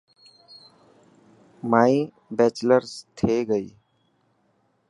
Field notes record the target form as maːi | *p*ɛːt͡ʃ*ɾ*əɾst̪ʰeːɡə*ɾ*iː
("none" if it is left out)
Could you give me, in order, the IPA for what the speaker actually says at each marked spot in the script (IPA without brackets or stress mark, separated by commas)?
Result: b, l, none